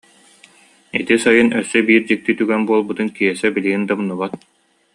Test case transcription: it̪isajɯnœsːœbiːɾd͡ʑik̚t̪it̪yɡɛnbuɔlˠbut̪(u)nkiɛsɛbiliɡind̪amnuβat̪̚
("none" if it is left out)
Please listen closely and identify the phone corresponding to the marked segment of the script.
ɯ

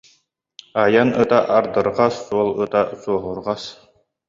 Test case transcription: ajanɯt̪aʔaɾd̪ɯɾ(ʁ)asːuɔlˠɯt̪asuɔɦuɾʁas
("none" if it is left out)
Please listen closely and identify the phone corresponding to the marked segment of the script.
ʁ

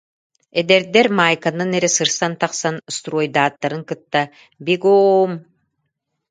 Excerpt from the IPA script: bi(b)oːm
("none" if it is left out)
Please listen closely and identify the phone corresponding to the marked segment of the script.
ɡ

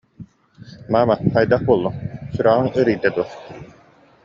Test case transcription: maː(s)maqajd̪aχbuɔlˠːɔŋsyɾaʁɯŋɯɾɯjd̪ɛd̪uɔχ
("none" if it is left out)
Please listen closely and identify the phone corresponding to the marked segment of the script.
none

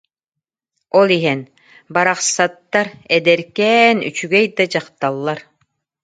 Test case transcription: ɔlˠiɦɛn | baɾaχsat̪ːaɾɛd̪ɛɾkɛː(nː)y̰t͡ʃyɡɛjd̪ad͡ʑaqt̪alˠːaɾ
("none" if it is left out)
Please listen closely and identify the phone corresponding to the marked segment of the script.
n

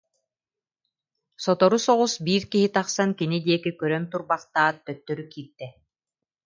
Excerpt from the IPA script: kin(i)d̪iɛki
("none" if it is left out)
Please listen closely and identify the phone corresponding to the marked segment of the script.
i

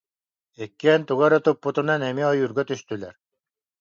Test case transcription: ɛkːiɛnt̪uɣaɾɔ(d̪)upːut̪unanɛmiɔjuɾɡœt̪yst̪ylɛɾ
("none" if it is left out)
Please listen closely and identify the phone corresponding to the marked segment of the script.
t̪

